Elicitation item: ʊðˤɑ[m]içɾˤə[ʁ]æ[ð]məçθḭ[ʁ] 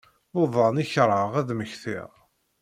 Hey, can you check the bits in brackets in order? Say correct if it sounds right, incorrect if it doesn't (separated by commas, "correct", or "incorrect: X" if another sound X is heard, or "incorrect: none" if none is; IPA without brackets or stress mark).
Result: incorrect: n, correct, correct, correct